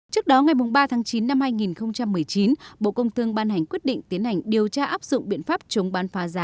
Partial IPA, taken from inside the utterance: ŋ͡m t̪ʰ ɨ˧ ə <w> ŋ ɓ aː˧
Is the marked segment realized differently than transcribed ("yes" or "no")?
yes